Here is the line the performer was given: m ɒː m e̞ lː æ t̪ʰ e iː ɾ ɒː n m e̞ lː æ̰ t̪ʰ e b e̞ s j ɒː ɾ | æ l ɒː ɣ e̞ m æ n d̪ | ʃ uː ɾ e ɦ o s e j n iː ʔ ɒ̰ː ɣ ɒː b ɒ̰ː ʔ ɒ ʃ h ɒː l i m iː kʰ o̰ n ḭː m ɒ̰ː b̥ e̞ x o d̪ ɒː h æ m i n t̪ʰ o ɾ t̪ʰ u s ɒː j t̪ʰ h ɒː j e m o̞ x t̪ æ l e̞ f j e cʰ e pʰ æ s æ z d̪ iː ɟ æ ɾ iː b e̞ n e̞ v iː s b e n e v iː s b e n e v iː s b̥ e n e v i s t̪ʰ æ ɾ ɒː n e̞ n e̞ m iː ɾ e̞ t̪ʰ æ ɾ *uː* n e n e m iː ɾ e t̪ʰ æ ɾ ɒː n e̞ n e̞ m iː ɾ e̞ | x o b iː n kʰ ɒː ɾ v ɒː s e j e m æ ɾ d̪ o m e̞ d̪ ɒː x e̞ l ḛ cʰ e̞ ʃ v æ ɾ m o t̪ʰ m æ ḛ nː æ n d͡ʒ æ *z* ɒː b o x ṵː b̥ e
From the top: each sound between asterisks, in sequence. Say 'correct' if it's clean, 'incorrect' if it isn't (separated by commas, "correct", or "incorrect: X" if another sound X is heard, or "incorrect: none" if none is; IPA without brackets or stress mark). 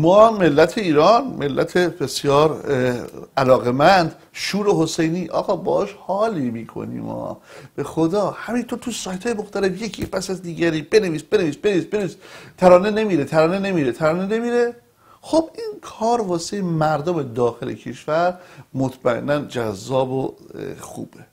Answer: incorrect: ɒː, incorrect: zː